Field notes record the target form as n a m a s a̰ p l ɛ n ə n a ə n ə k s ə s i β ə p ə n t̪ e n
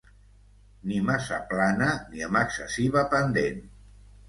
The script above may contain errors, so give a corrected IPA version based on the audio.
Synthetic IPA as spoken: n i m a s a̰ p l a n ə n i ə m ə k s ə s i β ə p ə n d̪ e n